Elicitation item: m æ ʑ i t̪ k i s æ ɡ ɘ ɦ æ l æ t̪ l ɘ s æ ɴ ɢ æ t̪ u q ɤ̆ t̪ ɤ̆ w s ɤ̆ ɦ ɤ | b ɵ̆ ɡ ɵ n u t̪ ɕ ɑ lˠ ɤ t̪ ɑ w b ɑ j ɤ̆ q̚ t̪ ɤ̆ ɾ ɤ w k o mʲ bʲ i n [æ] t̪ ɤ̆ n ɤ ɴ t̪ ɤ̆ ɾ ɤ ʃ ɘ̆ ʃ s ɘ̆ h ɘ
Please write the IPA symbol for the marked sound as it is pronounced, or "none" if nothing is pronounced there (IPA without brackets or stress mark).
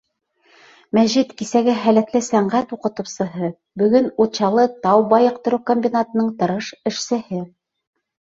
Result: a